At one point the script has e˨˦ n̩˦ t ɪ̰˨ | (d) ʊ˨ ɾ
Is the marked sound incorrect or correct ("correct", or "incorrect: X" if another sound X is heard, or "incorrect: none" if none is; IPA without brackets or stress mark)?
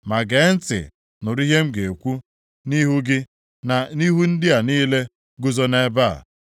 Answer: incorrect: n